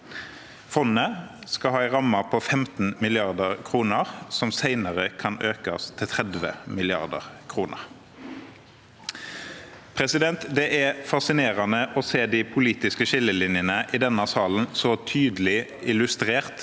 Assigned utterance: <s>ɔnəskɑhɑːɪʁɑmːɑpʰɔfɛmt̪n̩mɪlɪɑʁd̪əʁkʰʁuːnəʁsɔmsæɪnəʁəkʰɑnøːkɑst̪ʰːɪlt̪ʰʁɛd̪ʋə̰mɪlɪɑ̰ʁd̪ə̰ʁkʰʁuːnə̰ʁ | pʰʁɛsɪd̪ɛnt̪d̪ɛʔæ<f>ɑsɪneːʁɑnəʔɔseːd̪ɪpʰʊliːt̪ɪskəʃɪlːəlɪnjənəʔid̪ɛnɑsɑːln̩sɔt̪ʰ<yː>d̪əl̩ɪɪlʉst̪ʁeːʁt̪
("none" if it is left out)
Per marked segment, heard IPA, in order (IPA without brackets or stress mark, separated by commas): f, f, yː